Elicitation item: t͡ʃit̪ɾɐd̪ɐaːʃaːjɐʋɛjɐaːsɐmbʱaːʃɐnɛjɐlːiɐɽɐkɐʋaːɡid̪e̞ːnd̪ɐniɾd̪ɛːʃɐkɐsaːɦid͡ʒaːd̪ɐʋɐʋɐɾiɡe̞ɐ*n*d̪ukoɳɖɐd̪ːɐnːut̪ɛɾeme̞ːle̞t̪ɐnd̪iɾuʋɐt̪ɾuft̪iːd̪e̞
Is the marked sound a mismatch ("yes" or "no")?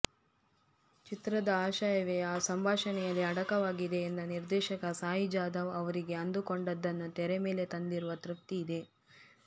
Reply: no